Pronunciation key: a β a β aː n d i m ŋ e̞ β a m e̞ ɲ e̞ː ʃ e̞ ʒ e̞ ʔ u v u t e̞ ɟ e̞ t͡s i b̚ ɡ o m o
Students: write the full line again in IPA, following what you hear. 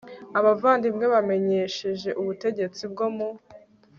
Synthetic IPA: a β a v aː n d i m ŋ e̞ β a m e̞ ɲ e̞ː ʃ e̞ ʒ e̞ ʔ u β u t e̞ ɟ e̞ t͡s i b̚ ɡ o m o